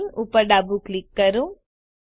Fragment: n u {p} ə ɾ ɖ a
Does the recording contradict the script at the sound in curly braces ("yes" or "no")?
no